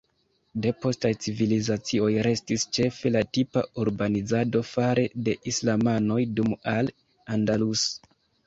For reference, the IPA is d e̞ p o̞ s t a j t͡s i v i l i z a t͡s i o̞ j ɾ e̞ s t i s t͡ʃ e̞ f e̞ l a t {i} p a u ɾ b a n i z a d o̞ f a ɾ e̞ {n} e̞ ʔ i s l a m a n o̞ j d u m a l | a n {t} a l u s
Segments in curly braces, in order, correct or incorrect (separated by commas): correct, incorrect, incorrect